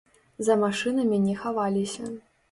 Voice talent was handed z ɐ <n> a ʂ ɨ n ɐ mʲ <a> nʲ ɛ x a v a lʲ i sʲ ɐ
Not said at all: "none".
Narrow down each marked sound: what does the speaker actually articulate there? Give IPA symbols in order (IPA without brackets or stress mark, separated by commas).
m, i